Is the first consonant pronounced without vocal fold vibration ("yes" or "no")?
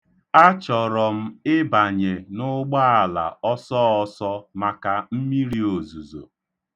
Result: yes